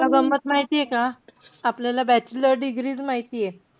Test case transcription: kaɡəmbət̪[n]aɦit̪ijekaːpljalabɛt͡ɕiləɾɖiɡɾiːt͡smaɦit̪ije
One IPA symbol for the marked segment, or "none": m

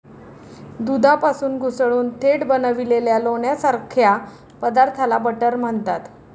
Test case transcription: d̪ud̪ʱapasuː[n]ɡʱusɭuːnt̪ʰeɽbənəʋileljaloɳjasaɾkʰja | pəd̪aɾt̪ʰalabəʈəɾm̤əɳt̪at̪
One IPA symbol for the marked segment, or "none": n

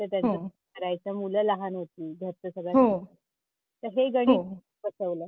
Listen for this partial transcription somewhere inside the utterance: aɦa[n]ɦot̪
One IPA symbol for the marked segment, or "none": n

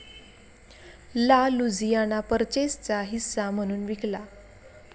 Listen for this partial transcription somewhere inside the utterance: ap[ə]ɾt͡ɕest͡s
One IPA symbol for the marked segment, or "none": ə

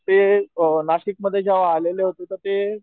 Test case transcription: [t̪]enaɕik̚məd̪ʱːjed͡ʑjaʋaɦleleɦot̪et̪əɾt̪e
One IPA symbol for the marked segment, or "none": t̪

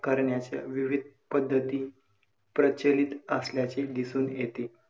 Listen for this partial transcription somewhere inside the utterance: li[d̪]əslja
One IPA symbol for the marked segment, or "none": t̪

